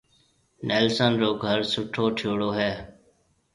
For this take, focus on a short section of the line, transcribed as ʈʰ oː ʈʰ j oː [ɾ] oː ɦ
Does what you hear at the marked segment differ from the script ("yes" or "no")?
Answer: yes